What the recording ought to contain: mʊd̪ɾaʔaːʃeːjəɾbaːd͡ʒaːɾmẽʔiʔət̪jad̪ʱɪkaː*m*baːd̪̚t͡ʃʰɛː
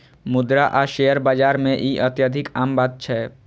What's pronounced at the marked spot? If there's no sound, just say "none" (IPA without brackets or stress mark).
m